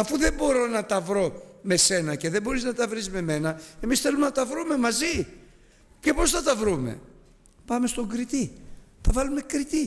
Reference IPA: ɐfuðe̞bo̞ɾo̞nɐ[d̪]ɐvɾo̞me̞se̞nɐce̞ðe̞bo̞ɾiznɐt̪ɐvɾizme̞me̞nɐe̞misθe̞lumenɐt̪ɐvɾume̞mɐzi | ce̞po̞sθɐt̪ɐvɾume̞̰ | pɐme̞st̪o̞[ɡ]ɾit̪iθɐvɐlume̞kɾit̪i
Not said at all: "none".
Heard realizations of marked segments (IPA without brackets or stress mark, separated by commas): t̪, ɡ